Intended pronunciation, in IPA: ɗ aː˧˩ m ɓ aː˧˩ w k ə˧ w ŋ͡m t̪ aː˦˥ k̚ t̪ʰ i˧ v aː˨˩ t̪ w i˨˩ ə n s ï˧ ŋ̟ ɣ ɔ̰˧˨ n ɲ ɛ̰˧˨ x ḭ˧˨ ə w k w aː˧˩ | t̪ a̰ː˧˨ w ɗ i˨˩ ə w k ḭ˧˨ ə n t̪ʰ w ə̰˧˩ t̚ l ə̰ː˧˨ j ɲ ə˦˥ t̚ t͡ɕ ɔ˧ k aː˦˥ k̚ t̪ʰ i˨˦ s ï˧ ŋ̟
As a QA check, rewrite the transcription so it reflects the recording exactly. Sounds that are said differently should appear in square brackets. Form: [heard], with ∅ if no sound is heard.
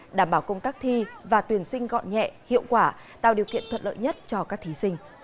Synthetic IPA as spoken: ɗ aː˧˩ m ɓ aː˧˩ w k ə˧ w ŋ͡m t̪ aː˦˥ k̚ t̪ʰ i˧ v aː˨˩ t̪ w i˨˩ ə n s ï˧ ŋ̟ ɣ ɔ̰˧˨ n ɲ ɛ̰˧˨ [h] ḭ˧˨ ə w k w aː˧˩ | t̪ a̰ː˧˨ w ɗ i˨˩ ə w k ḭ˧˨ ə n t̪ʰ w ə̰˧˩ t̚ l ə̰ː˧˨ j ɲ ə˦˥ t̚ t͡ɕ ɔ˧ k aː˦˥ k̚ t̪ʰ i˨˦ s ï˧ ŋ̟